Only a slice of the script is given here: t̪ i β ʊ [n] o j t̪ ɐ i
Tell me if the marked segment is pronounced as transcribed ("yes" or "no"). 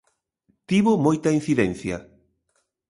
no